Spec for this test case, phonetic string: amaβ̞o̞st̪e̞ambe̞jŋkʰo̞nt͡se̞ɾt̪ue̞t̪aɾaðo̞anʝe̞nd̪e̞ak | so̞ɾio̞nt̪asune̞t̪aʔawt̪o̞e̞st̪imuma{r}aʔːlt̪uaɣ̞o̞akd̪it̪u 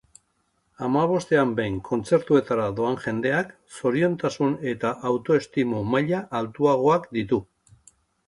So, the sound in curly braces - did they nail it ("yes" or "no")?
no